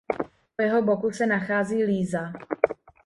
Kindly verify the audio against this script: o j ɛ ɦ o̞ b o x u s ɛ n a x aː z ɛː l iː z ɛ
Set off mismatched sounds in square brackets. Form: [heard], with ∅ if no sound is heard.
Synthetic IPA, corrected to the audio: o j ɛ ɦ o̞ b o [k] u s ɛ n a x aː z [iː] l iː z [a]